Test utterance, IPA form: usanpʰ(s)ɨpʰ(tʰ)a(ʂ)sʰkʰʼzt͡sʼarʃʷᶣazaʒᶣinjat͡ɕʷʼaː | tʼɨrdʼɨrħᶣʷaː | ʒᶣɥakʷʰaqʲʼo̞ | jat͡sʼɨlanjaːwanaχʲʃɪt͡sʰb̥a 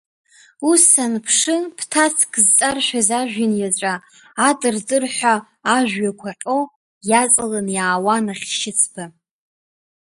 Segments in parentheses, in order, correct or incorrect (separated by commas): incorrect, correct, incorrect